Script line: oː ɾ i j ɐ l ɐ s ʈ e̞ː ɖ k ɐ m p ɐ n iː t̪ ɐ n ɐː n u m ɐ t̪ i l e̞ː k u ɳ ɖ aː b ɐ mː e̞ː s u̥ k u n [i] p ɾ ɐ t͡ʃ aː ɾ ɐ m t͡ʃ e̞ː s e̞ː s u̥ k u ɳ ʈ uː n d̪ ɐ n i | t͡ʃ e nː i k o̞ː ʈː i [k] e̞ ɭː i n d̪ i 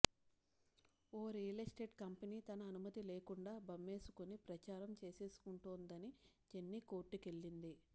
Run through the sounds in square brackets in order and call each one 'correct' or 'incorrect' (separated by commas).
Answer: correct, correct